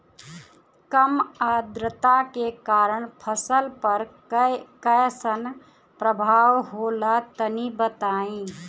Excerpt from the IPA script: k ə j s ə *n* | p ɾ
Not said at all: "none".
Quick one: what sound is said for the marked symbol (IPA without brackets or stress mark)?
n